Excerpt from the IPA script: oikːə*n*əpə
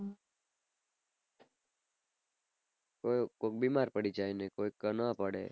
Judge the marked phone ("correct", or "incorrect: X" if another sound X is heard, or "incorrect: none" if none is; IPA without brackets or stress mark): correct